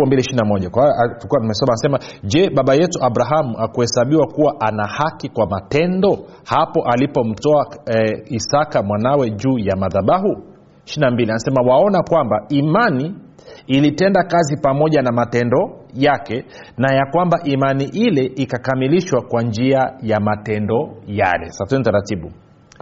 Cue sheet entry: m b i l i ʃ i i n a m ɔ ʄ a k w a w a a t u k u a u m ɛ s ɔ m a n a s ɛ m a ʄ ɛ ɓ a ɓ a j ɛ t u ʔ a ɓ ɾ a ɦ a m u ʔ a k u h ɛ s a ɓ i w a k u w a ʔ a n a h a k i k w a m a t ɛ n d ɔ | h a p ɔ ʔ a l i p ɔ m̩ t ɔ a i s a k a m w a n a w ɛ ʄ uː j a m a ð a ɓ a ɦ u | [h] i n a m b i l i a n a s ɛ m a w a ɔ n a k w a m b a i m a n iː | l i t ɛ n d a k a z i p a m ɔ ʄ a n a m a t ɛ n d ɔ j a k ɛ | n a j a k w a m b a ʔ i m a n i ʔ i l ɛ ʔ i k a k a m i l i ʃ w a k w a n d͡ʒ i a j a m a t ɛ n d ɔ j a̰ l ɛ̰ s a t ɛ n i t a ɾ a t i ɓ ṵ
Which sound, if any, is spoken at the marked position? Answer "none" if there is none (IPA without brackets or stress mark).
ʃ